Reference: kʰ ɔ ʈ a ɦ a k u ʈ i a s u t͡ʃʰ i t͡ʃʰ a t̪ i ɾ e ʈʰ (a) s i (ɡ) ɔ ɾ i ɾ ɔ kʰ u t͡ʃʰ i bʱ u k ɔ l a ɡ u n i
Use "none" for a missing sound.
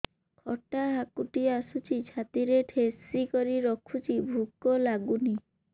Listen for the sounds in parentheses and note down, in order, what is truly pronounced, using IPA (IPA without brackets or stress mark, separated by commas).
e, k